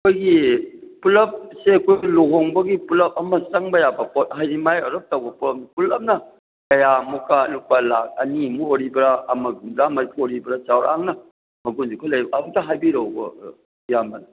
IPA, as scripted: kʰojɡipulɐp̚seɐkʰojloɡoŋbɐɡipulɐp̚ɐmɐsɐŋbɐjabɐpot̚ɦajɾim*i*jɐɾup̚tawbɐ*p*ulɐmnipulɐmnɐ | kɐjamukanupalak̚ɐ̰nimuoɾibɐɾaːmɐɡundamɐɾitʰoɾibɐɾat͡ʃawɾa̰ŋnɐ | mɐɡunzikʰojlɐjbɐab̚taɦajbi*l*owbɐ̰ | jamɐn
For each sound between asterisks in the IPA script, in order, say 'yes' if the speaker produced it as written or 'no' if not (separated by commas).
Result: no, yes, no